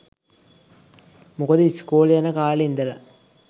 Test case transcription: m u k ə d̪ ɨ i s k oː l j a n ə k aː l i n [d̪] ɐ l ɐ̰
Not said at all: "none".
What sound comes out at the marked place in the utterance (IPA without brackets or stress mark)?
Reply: d̪